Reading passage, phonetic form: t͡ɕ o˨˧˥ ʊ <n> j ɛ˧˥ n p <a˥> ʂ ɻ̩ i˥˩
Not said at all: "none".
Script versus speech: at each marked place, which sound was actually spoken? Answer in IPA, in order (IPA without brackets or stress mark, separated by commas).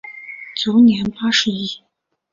n, a˥